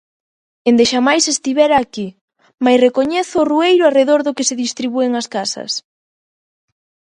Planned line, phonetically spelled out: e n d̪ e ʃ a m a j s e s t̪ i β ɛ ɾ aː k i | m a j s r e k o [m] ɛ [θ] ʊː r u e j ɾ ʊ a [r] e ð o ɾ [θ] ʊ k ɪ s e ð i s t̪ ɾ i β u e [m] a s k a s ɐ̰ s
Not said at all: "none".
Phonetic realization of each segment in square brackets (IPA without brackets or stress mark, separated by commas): ɲ, θ, r, ð, ŋ